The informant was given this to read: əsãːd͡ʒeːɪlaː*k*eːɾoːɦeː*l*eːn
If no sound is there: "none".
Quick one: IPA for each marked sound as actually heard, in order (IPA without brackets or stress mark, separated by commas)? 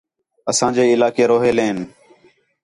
k, l